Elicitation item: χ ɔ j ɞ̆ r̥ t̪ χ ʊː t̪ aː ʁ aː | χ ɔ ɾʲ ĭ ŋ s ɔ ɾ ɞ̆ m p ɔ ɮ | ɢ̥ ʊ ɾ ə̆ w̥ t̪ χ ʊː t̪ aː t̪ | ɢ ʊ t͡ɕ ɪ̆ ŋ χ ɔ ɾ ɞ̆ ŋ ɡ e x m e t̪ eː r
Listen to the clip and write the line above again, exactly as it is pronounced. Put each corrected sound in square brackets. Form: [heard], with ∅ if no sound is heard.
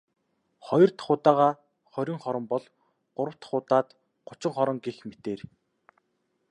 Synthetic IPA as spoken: χ ɔ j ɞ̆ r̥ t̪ χ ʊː t̪ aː ʁ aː | χ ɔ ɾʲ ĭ ŋ [χ] ɔ ɾ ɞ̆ m p ɔ ɮ | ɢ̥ ʊ ɾ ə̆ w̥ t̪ χ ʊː t̪ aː t̪ | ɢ ʊ t͡ɕ ɪ̆ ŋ χ ɔ ɾ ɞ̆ ŋ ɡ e x m e t̪ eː r